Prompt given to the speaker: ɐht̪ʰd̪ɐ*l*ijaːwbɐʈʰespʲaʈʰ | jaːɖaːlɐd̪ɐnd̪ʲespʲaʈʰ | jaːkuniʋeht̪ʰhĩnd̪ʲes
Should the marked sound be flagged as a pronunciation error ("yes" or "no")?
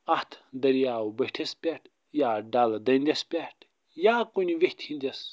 yes